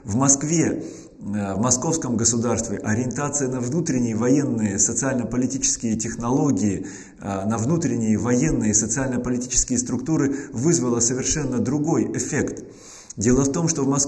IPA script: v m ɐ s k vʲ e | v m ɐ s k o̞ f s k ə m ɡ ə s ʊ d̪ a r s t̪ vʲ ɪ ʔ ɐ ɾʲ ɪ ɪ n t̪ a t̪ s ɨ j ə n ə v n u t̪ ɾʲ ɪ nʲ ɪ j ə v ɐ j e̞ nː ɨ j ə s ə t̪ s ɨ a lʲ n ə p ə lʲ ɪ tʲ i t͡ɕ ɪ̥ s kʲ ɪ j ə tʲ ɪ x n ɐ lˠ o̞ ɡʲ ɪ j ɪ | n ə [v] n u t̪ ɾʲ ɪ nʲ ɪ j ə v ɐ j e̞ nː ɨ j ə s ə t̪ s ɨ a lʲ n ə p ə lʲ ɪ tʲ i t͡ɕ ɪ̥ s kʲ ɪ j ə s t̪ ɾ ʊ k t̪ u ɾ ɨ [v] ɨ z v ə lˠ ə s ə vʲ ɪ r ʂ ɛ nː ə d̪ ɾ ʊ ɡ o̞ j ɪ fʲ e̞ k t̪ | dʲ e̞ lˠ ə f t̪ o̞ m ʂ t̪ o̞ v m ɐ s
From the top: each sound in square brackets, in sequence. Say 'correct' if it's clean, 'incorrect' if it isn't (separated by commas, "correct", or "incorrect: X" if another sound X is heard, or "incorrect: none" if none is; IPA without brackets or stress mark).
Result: correct, correct